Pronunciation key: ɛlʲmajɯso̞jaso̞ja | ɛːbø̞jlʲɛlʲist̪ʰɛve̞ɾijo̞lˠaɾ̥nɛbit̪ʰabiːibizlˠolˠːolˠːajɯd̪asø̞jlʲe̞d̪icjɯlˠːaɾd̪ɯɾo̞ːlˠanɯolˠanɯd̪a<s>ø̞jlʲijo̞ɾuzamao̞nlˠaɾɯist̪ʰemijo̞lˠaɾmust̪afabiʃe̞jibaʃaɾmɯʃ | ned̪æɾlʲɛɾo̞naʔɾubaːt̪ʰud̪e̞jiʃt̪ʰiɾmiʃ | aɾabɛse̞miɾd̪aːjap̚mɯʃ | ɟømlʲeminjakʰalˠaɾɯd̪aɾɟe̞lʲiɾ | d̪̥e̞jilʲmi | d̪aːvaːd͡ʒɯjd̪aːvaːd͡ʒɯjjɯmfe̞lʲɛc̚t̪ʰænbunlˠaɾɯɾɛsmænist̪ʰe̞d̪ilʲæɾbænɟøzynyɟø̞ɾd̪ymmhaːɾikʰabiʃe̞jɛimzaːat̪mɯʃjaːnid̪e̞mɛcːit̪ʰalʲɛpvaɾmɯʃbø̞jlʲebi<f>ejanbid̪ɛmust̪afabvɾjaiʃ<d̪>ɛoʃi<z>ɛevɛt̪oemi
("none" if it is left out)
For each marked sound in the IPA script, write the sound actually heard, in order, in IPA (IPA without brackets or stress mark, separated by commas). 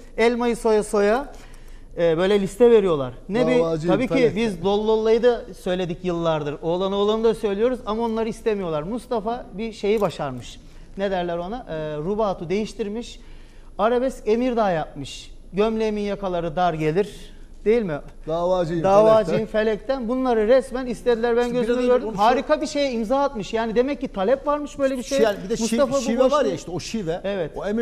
s, ʃ, t̪, v